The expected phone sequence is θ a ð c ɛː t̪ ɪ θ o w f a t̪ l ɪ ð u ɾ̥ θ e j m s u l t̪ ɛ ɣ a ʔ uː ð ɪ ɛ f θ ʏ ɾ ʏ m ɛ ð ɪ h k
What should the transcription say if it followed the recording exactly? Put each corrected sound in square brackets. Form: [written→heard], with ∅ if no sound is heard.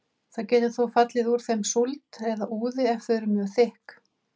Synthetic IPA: θ a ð c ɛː t̪ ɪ θ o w f a t̪ l ɪ ð u ɾ̥ θ e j m s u l t̪ ɛ [ɣ→ð] a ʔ uː ð ɪ ɛ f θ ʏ ɾ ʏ m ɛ [ð→θ] ɪ h k